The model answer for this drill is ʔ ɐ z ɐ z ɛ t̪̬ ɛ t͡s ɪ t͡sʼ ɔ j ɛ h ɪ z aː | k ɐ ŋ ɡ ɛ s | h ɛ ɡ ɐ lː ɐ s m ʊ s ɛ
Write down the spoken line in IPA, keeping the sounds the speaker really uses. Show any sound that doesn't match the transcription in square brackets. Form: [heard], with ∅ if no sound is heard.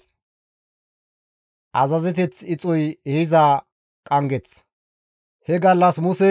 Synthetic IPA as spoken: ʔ ɐ z ɐ z ɛ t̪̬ ɛ t͡s ɪ t͡sʼ ɔ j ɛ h ɪ z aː | [kʼ] ɐ ŋ ɡ ɛ [t͡s] | h ɛ ɡ ɐ lː ɐ s m ʊ s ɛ